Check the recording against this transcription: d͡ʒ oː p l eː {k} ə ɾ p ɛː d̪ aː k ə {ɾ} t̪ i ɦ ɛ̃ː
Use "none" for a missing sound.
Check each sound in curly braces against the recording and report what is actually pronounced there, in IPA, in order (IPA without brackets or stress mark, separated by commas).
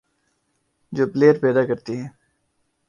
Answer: none, ɾ